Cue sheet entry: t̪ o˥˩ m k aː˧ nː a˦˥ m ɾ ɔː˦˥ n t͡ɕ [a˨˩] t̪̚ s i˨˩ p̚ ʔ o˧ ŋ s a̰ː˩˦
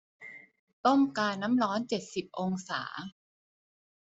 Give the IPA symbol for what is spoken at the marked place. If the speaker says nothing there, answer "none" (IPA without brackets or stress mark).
e˨˩